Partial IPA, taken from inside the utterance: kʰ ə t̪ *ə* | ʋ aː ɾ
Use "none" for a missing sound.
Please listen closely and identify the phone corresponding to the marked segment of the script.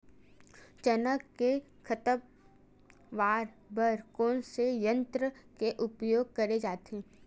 ə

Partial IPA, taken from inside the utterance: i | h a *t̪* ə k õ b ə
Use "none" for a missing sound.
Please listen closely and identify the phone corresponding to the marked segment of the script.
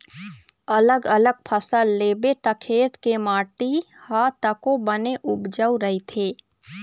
t̪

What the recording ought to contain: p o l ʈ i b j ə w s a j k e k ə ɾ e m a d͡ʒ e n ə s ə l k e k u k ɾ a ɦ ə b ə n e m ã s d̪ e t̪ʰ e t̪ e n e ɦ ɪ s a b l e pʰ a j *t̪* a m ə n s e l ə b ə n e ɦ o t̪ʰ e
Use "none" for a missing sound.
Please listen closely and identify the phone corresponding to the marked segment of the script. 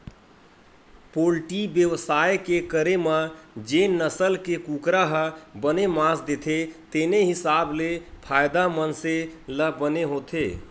d̪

